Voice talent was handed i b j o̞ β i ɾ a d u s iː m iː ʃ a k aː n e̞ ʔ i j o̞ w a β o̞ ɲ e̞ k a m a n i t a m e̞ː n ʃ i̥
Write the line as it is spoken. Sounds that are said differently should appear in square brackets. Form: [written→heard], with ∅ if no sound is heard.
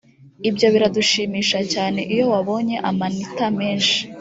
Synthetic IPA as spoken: i b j o̞ β i ɾ a d u [s→ʃ] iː m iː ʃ a [k→c] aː n e̞ ʔ i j o̞ w a β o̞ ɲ e̞ [k→ʔ] a m a n i t a m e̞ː n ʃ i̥